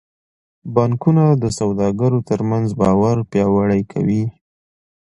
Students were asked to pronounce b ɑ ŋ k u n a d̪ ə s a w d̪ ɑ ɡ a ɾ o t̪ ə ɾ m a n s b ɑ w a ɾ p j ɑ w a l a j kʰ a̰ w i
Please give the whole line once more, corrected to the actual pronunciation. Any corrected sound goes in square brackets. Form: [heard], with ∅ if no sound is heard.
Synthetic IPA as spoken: b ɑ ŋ k u n a d̪ ə s a w d̪ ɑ ɡ a ɾ o t̪ ə ɾ m a n [z] b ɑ w a ɾ p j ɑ w a [ɽ] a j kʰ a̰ w i